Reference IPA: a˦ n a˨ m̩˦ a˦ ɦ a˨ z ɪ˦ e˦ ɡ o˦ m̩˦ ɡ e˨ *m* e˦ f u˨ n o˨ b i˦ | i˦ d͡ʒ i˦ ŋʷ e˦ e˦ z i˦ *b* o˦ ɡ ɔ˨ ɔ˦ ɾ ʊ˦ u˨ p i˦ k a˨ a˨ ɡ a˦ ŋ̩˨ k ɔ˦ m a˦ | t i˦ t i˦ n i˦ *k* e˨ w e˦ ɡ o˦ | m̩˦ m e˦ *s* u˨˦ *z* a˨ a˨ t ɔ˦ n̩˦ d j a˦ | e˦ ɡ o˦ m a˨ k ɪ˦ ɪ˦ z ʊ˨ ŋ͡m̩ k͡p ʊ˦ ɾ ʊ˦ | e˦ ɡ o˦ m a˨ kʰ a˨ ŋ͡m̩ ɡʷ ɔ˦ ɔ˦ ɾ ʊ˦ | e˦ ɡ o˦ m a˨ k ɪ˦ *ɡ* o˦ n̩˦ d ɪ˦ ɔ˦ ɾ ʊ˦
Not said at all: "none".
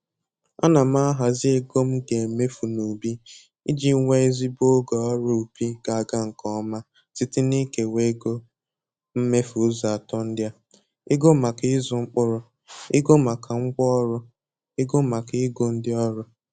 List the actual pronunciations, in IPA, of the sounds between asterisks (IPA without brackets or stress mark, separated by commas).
m, b, k, f, z, ɡ